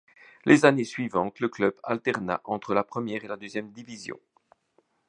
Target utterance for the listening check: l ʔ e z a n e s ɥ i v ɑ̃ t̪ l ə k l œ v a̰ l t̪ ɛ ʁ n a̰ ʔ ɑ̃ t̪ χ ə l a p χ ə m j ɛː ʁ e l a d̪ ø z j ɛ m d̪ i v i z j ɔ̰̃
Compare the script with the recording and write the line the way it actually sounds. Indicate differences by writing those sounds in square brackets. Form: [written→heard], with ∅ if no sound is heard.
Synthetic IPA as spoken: l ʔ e z a n e s ɥ i v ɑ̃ t̪ l ə k l œ [v→b] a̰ l t̪ ɛ ʁ n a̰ ʔ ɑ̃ t̪ χ ə l a p χ ə m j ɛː ʁ e l a d̪ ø z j ɛ m d̪ i v i z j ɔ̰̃